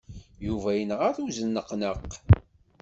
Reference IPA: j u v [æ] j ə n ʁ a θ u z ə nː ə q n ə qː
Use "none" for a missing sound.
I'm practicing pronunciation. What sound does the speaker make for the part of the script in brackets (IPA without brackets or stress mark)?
æ